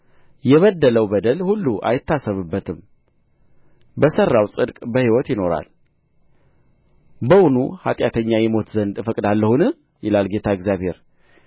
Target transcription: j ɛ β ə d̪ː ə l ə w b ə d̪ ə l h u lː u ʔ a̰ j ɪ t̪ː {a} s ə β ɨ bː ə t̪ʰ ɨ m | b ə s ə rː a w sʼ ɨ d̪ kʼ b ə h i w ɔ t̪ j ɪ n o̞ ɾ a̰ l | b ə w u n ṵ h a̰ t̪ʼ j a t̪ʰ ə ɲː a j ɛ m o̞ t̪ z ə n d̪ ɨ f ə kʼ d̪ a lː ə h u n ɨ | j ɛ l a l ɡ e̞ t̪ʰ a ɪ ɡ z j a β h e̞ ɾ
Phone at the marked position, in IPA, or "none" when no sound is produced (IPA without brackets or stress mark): a